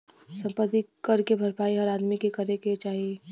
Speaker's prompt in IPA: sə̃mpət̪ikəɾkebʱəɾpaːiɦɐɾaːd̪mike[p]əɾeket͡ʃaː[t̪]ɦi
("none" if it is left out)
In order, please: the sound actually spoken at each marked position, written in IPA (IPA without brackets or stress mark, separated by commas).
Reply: k, none